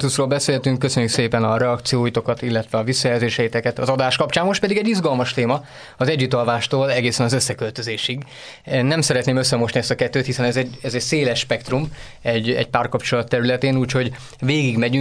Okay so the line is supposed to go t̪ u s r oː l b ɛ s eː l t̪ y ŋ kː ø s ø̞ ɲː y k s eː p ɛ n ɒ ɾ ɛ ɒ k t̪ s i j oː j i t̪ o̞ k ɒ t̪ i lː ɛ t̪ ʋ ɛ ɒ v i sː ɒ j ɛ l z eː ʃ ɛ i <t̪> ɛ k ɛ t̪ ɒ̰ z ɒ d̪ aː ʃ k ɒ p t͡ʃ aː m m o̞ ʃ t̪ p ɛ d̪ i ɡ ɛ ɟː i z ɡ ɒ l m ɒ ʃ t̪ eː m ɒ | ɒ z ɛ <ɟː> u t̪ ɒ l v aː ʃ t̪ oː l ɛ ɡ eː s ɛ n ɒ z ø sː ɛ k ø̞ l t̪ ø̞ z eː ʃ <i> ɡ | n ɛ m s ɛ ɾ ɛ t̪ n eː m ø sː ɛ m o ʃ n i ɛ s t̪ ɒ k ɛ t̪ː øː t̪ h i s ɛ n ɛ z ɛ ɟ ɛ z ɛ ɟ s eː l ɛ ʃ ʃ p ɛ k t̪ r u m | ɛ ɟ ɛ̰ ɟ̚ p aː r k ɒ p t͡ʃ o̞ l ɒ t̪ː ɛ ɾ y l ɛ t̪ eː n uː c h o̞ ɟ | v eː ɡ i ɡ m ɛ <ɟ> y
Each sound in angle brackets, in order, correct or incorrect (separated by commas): correct, correct, correct, correct